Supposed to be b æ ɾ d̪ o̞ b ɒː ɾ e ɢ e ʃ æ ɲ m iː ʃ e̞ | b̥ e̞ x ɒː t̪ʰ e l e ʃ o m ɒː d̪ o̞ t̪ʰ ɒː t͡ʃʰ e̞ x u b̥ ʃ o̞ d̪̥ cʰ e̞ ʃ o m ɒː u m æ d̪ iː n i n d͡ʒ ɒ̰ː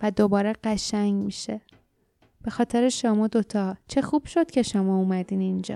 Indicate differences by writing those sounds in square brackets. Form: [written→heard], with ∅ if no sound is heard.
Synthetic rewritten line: [b→v] æ [ɾ→∅] d̪ o̞ b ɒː ɾ e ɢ [e→æ] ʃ æ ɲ m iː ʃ e̞ | b̥ e̞ x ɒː t̪ʰ e [l→ɾ] e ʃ o m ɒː d̪ o̞ t̪ʰ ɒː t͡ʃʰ e̞ x u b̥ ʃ o̞ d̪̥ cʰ e̞ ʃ o m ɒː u m æ d̪ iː n i n d͡ʒ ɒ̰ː